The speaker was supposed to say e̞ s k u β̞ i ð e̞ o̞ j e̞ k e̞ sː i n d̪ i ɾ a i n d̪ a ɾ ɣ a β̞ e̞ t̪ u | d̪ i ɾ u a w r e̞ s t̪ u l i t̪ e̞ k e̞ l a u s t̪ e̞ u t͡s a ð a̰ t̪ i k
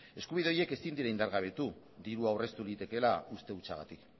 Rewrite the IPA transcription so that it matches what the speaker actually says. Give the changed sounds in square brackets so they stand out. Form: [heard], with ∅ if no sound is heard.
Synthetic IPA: e̞ s k u β̞ i ð e̞ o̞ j e̞ k e̞ [s] i n d̪ i ɾ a i n d̪ a ɾ ɣ a β̞ e̞ t̪ u | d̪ i ɾ u a w r e̞ s t̪ u l i t̪ e̞ k e̞ l a u s t̪ e̞ u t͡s a [ɣ] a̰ t̪ i k